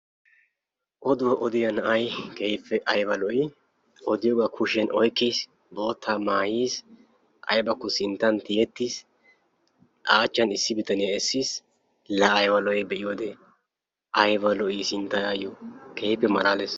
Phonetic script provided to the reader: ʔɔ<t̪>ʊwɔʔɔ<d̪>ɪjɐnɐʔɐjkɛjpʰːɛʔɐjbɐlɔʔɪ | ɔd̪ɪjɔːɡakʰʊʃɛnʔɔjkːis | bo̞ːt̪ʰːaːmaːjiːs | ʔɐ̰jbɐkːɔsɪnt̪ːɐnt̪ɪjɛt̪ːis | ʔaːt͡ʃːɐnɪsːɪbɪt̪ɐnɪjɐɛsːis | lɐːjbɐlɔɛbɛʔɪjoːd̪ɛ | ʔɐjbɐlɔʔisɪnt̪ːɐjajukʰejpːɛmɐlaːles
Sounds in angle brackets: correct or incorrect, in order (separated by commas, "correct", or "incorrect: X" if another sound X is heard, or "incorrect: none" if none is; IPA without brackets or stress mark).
incorrect: d̪, correct